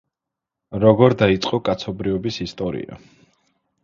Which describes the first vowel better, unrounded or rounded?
rounded